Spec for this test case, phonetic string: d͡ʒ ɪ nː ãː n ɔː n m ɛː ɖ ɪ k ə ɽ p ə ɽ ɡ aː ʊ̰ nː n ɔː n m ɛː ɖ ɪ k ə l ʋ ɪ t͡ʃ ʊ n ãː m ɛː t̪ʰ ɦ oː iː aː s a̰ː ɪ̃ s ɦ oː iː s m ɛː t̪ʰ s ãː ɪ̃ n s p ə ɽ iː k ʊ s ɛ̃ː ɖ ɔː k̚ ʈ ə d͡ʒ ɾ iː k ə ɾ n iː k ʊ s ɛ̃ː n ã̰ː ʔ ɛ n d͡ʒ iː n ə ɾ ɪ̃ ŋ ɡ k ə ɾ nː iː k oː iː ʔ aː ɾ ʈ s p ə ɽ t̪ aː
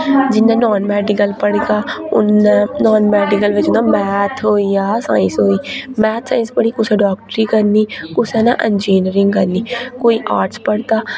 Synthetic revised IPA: d͡ʒ ɪ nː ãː n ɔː n m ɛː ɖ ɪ k ə l p ə ɽ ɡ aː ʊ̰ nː n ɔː n m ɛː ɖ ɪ k ə l ʋ ɪ t͡ʃ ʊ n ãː m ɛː t̪ʰ ɦ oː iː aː s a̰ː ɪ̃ s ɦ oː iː m ɛː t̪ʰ s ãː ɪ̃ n s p ə ɽ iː k ʊ s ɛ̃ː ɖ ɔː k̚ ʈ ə ɾ iː k ə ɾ n iː k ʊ s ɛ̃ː n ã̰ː ʔ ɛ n d͡ʒ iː n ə ɾ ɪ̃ ŋ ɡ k ə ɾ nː iː k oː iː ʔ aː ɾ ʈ s p ə ɽ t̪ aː